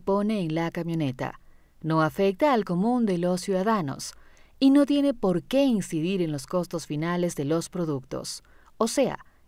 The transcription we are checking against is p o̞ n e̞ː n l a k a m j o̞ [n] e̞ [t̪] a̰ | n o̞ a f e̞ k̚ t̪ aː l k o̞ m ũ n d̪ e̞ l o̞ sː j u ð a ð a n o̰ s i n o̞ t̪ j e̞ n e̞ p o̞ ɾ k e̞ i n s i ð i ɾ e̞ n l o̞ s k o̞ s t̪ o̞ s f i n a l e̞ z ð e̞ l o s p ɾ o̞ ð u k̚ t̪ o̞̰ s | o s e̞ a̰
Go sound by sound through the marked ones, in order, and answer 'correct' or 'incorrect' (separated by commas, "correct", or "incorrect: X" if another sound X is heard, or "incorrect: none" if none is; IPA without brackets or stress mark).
correct, correct